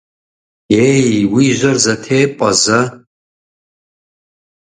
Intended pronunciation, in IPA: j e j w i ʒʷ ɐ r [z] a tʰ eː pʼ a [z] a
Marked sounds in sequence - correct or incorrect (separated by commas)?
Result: correct, correct